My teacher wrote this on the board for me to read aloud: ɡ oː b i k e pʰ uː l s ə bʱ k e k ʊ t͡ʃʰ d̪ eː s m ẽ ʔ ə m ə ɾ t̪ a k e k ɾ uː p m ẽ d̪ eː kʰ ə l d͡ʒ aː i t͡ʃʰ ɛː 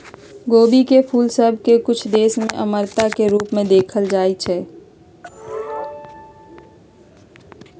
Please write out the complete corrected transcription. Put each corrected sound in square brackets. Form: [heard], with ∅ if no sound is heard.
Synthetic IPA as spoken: ɡ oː b i k e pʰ uː l s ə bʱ k e k ʊ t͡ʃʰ d̪ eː s m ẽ ʔ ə m ə ɾ t̪ a k e [∅] ɾ uː p m ẽ d̪ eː kʰ ə l d͡ʒ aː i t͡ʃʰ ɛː